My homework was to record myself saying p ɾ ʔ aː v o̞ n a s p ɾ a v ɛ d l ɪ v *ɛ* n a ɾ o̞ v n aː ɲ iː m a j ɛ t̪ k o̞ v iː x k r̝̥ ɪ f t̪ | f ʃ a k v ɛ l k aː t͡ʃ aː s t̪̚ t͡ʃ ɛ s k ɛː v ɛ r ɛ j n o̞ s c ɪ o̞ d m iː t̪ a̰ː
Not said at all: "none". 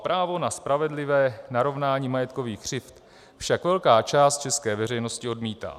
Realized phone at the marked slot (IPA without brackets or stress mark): ɛː